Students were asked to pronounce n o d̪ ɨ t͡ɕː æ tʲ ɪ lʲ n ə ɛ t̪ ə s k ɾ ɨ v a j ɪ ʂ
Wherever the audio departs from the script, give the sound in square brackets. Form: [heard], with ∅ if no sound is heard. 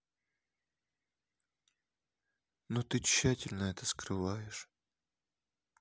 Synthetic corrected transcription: n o [t̪] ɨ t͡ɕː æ tʲ ɪ lʲ n ə ɛ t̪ ə s k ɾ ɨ v a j ɪ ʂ